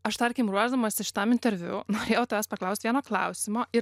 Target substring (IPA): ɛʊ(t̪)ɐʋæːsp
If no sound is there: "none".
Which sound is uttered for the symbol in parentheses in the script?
t̪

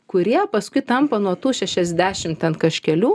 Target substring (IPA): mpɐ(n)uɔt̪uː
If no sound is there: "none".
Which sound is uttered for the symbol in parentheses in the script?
n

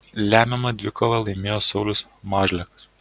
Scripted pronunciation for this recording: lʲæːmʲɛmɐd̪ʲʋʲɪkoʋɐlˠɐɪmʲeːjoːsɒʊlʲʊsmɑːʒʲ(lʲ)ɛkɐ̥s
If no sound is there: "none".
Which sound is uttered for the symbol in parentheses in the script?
lʲ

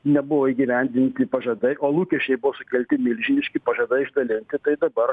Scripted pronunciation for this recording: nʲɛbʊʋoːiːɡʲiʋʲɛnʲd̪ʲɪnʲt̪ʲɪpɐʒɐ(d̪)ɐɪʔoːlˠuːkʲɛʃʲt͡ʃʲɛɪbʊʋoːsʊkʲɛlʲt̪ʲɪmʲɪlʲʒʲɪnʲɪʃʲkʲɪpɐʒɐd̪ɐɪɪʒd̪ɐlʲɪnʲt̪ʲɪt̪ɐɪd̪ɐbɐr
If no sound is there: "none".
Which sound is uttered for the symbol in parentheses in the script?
d̪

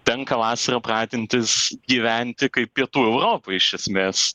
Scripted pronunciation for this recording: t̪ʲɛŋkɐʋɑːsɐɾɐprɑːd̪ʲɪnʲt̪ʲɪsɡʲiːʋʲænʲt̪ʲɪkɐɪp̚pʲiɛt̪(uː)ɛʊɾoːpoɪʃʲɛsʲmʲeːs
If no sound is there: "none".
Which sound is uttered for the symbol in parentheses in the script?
uː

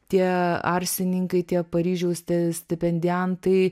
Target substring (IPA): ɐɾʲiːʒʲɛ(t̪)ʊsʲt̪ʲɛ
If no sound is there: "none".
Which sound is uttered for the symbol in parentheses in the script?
none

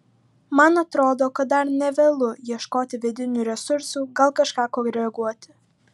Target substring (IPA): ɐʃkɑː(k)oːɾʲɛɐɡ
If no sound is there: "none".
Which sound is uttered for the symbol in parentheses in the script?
k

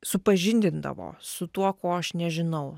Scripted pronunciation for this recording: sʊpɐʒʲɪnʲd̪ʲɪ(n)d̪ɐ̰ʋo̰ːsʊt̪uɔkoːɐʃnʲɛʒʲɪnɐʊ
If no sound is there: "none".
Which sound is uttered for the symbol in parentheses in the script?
n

